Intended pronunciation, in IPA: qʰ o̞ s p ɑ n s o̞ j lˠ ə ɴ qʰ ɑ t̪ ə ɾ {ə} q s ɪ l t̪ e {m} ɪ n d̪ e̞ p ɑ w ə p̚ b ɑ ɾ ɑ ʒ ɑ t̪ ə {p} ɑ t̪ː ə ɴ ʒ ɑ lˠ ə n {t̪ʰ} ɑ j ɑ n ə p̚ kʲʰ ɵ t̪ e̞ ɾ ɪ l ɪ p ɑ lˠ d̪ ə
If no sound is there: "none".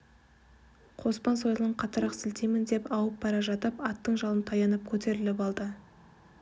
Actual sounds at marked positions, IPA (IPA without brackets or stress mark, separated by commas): ɑ, m, p, t̪ʰ